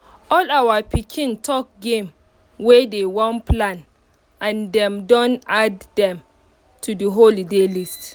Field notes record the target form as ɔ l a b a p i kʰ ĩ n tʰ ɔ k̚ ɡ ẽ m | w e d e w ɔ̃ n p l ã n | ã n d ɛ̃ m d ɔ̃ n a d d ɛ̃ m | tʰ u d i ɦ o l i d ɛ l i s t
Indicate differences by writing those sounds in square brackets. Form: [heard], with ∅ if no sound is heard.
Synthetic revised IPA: ɔ l a [w] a p i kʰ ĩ n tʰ ɔ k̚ ɡ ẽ m | w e d e w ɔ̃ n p l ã n | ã n d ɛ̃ m d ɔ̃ n a d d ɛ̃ m | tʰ u d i ɦ o l i d [e] l i s t

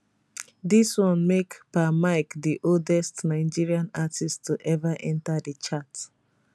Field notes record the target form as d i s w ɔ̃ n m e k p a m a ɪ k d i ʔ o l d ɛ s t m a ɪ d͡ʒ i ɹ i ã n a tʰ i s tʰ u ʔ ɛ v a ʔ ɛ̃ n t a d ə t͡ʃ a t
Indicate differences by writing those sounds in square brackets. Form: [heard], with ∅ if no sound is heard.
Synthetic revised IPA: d i s w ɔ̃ n m e k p a m a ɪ k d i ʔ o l d ɛ s t [n] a ɪ d͡ʒ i ɹ i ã n a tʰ i s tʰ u ʔ ɛ v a ʔ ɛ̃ n t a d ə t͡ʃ a t

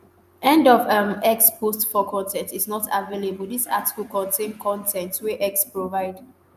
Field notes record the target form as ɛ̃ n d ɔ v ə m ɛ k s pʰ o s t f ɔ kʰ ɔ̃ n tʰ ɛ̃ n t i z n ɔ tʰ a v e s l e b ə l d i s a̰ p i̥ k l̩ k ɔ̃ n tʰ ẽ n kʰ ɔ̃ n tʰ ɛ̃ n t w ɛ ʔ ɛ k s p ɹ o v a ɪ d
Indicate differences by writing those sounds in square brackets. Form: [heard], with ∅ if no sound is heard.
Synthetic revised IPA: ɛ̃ n d ɔ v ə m ɛ k s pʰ o s t f ɔ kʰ ɔ̃ n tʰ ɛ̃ n t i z n ɔ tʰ a v e [∅] l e b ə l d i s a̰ [t] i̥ k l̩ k ɔ̃ n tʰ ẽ n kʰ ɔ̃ n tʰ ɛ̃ n t w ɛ ʔ ɛ k s p ɹ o v a ɪ d

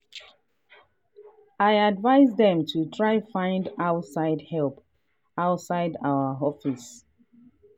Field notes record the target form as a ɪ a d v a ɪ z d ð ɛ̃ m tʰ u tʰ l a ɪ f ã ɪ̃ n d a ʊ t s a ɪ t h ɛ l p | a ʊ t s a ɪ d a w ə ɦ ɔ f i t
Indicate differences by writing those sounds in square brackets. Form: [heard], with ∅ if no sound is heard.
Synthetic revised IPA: a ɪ a d v a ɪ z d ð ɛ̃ m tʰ u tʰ [ɹ] a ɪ f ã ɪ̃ n d a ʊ t s a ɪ [d] h ɛ l p | a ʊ t s a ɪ d a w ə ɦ ɔ f i [s]

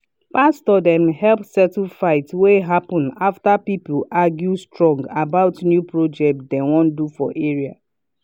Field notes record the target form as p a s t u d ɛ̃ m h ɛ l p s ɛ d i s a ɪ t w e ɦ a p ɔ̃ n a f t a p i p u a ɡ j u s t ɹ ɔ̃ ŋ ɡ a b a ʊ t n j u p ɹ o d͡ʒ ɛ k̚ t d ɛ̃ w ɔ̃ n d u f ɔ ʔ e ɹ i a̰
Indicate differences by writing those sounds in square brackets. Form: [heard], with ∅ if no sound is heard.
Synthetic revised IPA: p a s t [ɔ] d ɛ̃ m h ɛ l p s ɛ [t] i [f] a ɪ t w e ɦ a p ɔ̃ n a f t a p i p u a ɡ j u s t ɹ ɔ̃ ŋ ɡ a b a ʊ t n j u p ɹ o d͡ʒ ɛ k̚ t d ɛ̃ w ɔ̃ n d u f ɔ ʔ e ɹ i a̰

